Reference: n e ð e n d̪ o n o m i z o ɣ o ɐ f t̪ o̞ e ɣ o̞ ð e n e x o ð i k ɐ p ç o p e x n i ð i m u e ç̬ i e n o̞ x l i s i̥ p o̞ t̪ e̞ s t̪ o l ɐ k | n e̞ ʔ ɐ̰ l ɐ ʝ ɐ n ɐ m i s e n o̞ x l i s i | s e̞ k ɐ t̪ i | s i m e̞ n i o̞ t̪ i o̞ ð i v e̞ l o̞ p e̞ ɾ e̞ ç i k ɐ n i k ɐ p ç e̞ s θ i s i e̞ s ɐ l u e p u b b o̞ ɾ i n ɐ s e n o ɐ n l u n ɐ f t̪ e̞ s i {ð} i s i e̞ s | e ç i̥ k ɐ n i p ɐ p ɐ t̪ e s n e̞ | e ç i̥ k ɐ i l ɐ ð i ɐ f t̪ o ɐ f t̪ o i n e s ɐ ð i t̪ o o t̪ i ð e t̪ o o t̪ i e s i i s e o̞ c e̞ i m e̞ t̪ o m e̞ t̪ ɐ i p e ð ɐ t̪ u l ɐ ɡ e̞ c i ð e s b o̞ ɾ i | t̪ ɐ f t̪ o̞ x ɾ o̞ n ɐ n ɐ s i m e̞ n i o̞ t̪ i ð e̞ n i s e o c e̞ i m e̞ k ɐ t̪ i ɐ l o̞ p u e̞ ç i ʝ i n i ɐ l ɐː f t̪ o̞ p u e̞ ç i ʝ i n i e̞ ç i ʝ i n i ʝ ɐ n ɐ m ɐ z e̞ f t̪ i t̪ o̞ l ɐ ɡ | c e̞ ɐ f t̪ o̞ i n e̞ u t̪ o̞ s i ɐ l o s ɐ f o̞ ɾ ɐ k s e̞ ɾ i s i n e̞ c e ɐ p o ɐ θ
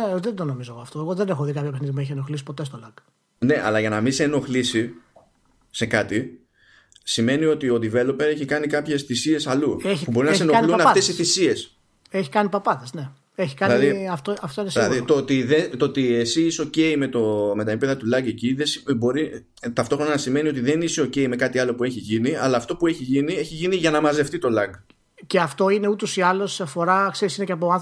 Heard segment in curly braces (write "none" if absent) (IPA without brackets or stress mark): θ